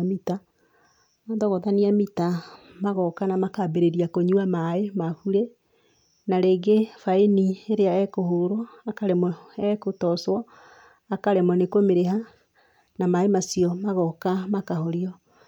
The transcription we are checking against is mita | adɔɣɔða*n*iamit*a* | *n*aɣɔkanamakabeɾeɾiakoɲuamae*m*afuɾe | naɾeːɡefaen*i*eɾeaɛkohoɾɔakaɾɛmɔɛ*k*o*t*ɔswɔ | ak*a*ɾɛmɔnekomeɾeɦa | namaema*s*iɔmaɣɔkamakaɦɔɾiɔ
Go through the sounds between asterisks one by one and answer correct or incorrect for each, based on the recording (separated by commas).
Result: correct, correct, incorrect, correct, correct, correct, correct, correct, correct